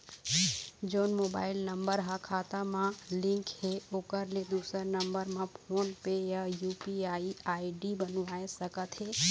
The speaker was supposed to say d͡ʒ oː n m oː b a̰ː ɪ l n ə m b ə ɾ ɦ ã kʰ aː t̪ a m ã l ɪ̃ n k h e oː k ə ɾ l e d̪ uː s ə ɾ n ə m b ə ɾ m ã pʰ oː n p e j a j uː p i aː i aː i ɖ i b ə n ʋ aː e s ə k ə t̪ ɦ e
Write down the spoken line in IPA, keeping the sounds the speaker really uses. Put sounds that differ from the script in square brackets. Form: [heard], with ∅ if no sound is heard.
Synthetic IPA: d͡ʒ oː n m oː b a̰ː ɪ l n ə m b ə ɾ ɦ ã kʰ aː t̪ a m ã l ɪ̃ [ŋ] k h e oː k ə ɾ l e d̪ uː s ə ɾ n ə m b ə ɾ m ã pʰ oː n p e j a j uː p i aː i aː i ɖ i b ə n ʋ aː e s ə k ə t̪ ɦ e